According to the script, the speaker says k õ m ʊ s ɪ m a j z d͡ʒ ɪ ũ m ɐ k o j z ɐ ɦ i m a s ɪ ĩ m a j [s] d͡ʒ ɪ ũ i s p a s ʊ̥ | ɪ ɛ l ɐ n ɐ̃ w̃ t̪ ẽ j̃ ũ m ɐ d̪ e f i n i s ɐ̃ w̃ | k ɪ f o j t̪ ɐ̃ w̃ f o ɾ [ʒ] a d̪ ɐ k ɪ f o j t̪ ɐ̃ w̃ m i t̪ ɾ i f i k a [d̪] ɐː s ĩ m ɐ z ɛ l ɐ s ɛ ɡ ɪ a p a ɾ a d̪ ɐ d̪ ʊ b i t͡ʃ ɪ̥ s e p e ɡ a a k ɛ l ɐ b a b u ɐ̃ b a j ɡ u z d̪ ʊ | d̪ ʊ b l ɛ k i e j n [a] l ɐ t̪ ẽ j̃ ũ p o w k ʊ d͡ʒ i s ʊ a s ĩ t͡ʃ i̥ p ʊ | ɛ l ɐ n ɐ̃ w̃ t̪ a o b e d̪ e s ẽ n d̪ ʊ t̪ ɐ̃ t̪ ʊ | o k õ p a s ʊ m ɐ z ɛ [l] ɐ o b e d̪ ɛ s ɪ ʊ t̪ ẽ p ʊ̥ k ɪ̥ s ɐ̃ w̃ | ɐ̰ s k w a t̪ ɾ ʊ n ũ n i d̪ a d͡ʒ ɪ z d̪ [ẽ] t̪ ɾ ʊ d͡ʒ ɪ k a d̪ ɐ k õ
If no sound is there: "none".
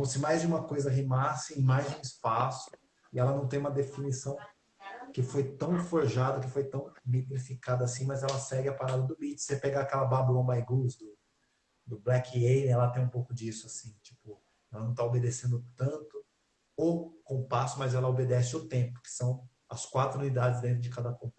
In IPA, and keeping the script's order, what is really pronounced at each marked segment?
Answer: z, ʒ, d̪, ɛ, l, ẽ

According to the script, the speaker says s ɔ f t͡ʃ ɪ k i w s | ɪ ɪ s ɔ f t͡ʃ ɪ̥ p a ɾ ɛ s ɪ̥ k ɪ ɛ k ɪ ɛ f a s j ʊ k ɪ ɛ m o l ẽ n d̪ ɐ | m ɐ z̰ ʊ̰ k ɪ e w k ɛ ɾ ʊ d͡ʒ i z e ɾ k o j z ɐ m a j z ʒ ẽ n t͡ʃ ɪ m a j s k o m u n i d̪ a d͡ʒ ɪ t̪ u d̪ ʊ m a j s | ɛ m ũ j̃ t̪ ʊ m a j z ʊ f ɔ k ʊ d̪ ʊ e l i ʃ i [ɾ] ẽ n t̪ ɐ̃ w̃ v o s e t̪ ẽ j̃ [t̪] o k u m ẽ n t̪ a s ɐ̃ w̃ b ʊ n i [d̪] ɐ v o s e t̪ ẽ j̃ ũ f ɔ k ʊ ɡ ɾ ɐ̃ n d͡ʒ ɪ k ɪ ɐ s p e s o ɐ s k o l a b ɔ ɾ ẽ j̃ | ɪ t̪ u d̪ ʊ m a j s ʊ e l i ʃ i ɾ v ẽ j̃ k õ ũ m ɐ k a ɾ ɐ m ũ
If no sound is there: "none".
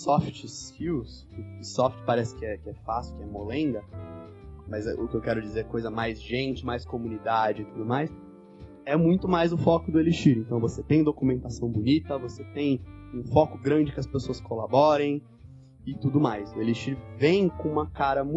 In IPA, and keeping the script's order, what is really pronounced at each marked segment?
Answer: ɾ, d̪, t̪

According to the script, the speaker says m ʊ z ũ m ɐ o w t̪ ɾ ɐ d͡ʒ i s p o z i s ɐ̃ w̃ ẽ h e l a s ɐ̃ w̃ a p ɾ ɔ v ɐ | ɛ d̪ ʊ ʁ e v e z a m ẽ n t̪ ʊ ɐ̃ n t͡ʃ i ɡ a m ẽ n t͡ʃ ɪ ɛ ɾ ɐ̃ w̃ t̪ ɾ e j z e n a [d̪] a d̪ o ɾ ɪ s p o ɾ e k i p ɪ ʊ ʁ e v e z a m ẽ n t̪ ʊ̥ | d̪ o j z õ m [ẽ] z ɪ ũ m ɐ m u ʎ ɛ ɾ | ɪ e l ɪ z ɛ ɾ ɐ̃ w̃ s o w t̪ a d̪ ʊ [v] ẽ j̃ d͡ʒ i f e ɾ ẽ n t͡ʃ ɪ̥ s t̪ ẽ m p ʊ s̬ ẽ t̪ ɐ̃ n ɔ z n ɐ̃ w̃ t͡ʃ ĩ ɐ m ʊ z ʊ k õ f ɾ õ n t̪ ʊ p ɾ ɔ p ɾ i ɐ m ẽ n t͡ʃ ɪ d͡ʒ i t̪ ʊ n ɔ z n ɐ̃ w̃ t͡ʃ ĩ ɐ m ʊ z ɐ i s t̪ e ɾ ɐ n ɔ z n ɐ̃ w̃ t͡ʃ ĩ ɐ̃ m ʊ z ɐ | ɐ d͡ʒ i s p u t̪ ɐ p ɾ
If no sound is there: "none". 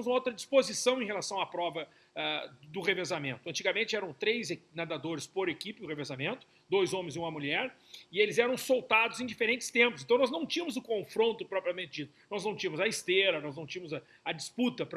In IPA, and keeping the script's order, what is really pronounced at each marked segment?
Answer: d̪, ẽ, z

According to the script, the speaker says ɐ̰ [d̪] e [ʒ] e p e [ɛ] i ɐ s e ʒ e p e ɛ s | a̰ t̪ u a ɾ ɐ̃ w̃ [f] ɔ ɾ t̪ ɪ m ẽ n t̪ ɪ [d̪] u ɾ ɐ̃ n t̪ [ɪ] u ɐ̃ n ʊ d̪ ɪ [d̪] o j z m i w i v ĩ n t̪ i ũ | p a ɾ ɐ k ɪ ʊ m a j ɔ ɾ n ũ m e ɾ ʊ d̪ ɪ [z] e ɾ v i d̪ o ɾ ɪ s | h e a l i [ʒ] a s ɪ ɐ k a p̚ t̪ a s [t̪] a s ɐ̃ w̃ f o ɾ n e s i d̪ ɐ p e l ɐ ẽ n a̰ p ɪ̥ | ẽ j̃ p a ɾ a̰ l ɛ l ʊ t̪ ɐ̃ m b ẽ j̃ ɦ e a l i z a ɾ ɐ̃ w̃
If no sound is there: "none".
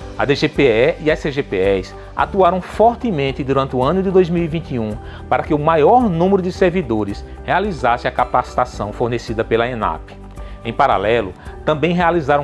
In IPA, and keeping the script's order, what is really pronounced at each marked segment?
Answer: d̪, ʒ, ɛ, f, d̪, ɪ, d̪, s, z, t̪

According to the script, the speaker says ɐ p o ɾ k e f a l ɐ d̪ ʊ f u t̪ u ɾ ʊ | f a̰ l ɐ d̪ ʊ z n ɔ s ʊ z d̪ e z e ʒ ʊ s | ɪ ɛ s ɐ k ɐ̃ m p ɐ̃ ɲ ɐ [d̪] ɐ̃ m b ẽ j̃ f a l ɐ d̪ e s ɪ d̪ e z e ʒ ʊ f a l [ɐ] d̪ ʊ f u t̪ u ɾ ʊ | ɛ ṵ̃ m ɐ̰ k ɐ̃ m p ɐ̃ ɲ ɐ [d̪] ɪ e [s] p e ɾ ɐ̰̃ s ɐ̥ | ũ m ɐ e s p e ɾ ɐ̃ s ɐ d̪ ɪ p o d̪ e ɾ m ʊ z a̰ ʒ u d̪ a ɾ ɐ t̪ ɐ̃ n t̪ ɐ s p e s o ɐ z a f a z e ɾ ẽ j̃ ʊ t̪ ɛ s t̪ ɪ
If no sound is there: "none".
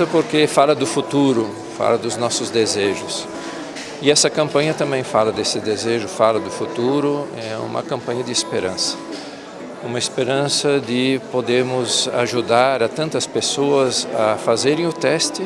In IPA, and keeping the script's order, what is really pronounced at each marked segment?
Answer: t̪, ɐ, d̪, s

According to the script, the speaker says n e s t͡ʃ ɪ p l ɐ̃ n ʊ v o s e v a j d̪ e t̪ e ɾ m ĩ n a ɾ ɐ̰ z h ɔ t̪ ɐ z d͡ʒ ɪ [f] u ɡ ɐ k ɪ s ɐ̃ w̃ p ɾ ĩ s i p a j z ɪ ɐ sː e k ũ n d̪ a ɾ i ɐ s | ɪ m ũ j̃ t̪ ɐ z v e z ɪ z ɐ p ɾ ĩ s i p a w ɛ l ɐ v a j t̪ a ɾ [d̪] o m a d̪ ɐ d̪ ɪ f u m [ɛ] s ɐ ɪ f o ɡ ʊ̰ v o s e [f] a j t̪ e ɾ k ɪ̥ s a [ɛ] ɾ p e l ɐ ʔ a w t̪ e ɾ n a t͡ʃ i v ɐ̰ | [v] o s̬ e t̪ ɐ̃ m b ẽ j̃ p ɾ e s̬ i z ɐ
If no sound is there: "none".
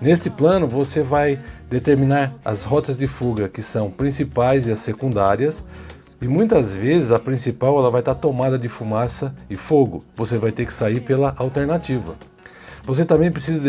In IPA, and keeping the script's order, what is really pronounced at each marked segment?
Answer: f, t̪, a, v, i, v

